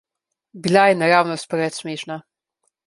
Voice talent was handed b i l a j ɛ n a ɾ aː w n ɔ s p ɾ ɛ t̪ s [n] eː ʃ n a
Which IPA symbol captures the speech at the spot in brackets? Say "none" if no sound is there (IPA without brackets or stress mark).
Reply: m